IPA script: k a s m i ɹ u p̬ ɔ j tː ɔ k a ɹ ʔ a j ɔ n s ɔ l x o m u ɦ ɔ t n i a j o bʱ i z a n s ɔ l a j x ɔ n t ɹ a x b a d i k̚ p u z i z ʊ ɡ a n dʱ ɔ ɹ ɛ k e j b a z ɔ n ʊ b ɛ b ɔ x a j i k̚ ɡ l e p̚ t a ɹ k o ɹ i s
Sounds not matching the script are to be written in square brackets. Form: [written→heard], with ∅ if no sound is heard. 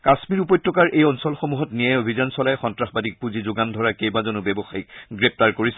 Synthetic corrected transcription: k a s m i ɹ u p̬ ɔ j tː ɔ k a ɹ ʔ [a→e] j ɔ n s ɔ l x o m u ɦ ɔ t n i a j o bʱ i z a n s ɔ l a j x ɔ n t ɹ a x b a d i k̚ p u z i z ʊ ɡ a n dʱ ɔ ɹ [ɛ→a] k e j b a z ɔ n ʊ b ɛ b ɔ x a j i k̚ ɡ [l→ɹ] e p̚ t a ɹ k o ɹ i s